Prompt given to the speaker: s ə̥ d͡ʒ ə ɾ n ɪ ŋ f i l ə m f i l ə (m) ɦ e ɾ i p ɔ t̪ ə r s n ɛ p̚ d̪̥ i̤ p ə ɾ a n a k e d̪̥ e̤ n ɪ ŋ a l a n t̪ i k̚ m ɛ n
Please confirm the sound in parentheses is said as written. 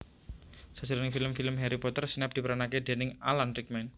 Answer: yes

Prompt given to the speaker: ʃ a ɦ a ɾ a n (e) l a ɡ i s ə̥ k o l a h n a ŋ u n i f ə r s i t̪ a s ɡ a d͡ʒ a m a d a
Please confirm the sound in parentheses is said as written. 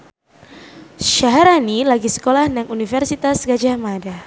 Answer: no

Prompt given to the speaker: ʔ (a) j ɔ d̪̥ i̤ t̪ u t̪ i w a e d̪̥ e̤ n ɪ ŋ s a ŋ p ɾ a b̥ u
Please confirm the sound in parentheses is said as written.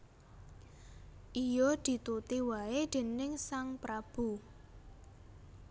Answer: no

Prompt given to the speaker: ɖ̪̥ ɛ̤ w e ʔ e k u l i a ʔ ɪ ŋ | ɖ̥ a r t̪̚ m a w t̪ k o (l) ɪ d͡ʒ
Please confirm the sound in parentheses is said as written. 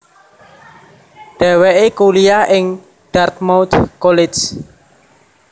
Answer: yes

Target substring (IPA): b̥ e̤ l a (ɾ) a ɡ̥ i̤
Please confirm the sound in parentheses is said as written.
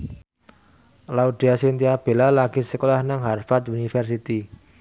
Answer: no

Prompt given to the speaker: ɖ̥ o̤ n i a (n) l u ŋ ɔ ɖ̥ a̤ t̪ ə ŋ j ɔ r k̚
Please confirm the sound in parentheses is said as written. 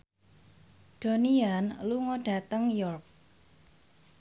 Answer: yes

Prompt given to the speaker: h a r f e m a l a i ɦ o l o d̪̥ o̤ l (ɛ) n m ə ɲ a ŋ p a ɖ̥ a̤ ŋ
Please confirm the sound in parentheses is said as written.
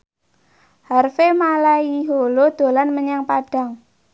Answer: no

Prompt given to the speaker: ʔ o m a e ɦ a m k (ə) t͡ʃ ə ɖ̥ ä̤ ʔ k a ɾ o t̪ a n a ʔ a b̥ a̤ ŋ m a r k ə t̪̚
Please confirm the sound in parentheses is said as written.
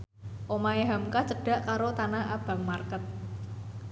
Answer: no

